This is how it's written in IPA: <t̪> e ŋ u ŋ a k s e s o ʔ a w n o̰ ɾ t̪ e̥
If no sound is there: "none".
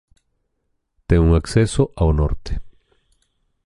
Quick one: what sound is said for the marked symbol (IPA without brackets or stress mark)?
t̪